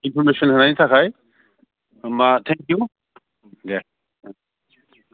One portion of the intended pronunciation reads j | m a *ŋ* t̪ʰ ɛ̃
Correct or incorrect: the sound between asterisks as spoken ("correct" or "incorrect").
incorrect